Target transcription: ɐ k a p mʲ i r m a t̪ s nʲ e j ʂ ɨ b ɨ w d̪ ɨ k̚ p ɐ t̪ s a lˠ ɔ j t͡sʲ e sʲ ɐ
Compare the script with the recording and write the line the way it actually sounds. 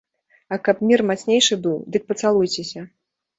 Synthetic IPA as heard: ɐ k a p mʲ i r m a t̪ s nʲ e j ʂ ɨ b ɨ w d̪ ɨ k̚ p ɐ t̪ s a lˠ u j t͡sʲ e sʲ ɐ